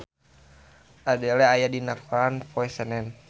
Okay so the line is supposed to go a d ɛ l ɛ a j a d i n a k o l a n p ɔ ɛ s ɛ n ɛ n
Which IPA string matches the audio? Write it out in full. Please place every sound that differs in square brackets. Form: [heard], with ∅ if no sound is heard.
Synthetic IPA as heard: a d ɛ l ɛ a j a d i n a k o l a n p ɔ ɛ s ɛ n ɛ n